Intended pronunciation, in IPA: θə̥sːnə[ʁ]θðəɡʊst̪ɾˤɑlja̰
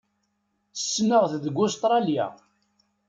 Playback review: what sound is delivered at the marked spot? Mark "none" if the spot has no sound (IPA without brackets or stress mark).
ʁ